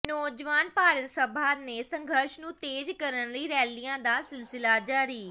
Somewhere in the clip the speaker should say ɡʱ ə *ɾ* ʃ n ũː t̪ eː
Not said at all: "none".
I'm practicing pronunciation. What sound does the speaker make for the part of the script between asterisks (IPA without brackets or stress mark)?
ɾ